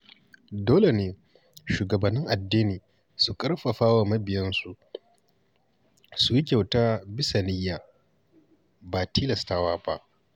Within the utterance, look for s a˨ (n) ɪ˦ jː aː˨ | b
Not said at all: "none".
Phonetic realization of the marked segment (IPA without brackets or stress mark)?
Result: n